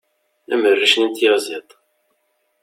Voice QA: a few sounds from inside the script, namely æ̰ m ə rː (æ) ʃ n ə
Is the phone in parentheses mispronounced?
yes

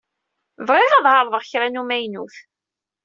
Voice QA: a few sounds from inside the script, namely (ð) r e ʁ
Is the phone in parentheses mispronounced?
yes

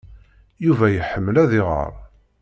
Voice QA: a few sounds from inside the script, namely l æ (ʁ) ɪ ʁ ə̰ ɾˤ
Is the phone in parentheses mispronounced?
yes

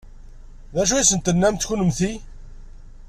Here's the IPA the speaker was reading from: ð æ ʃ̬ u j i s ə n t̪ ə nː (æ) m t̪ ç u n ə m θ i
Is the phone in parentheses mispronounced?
no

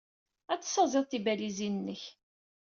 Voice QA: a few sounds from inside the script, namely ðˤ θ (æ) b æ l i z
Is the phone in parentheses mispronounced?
yes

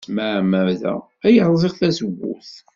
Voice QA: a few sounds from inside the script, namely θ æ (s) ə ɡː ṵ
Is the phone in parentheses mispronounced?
no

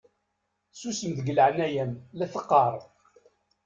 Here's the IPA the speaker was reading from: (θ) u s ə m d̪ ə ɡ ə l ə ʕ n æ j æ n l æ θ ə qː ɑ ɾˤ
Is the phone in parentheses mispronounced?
yes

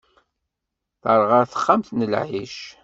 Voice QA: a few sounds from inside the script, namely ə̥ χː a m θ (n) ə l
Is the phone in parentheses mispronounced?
no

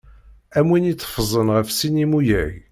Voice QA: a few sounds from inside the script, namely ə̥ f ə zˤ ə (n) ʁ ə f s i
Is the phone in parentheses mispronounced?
no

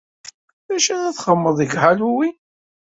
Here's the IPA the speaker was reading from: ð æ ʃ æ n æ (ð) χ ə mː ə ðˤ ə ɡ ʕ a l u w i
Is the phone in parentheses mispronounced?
yes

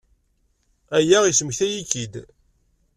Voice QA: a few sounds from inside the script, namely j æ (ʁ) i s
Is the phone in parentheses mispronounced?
no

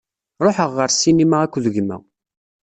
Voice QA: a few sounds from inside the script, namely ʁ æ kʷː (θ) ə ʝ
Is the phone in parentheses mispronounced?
yes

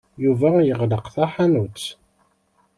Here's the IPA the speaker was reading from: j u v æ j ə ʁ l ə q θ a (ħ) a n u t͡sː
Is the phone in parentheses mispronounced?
no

